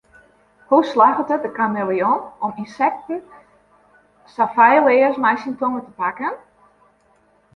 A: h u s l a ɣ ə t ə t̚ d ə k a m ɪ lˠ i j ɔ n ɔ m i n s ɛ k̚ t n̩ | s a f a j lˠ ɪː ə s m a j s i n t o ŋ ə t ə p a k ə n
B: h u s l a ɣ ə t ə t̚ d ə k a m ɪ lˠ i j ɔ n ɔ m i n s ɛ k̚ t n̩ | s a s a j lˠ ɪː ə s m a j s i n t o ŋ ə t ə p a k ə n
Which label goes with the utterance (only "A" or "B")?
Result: A